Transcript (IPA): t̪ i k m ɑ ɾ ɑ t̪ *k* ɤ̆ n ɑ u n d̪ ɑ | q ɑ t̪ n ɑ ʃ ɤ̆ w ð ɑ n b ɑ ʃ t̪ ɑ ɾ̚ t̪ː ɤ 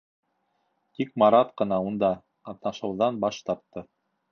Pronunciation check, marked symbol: incorrect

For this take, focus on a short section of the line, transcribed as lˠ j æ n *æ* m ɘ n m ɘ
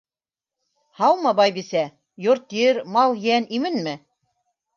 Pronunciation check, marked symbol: incorrect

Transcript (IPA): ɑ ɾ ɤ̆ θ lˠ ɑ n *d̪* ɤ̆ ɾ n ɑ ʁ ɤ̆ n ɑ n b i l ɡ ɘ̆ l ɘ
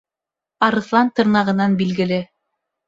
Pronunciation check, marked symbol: incorrect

